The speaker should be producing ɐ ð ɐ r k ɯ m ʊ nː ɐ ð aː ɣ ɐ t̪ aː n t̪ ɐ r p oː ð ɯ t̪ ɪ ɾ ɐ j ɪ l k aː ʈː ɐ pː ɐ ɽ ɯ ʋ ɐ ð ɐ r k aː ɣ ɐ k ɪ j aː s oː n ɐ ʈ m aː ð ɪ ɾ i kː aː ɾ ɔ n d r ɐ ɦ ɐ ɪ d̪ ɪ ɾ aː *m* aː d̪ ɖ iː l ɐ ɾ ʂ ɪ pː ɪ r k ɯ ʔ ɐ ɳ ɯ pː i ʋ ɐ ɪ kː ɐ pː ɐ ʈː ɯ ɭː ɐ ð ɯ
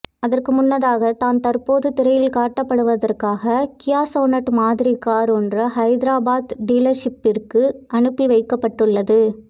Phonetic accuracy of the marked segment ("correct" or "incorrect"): incorrect